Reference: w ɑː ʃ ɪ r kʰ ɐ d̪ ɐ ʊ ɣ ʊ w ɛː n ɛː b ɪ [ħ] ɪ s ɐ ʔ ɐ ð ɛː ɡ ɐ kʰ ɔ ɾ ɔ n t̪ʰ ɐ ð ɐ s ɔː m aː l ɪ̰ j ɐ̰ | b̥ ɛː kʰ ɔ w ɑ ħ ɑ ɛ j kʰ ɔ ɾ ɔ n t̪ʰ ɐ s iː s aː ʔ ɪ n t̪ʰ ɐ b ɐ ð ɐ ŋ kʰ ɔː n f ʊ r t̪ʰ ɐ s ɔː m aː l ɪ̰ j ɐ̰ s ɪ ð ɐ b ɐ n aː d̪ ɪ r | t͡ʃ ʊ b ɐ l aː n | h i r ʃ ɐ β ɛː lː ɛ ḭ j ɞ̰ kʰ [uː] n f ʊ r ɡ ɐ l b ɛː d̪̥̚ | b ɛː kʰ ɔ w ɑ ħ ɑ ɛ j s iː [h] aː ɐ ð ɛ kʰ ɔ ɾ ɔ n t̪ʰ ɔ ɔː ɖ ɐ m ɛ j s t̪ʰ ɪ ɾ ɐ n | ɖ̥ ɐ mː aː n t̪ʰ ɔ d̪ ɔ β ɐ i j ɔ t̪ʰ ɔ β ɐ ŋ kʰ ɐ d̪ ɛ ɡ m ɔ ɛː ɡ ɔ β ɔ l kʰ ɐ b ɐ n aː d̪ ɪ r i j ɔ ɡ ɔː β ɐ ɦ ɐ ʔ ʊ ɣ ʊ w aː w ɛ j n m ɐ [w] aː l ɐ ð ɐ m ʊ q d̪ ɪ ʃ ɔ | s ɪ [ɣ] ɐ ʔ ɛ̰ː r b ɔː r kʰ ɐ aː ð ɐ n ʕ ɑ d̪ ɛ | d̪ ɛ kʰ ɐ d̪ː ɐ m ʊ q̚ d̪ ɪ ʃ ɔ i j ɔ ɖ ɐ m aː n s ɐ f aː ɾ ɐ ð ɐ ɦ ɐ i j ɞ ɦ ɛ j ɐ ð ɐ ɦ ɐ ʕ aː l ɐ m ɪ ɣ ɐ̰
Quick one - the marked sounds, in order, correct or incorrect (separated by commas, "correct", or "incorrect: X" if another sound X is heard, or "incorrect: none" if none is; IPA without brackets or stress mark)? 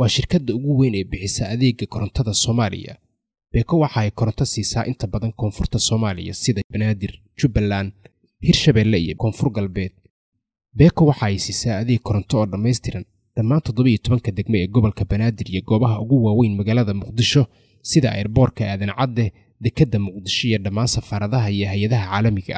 correct, incorrect: ɔː, incorrect: s, incorrect: ɣ, incorrect: ð